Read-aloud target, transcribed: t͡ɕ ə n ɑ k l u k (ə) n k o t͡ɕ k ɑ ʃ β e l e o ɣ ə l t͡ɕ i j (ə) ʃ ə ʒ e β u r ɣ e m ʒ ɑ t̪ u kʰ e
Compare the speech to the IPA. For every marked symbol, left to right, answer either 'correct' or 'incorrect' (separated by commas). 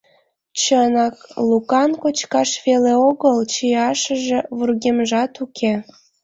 incorrect, incorrect